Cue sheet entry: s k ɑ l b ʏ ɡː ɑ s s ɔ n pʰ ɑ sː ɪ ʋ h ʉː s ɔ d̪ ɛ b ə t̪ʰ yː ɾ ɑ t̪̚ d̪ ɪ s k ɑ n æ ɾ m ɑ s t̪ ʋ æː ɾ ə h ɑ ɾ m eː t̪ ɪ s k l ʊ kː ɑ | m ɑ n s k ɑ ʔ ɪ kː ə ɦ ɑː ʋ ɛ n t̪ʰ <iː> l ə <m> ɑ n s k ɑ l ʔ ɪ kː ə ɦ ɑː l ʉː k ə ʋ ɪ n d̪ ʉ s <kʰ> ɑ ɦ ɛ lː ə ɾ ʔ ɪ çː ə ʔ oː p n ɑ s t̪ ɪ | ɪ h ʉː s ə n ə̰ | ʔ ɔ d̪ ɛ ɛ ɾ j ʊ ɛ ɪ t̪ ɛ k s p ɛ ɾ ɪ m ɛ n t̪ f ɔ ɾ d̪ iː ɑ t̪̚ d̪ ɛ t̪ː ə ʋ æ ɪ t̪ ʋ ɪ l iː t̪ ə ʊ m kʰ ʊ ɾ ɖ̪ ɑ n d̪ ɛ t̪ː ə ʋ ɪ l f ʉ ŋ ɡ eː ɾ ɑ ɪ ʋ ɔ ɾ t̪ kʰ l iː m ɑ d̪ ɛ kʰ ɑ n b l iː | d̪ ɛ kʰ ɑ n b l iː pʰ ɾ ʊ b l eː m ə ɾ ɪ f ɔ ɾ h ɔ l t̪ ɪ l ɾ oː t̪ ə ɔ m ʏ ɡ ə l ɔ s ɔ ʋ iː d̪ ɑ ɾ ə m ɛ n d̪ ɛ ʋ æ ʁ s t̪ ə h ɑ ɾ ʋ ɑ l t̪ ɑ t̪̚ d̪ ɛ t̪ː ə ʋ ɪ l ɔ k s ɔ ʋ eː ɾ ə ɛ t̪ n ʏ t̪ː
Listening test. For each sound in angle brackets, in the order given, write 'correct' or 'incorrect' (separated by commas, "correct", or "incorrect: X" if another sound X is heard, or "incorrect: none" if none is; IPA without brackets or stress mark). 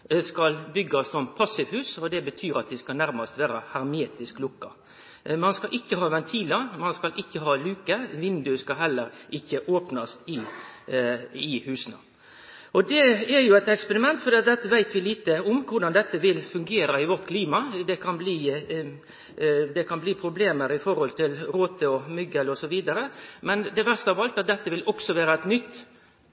correct, correct, incorrect: k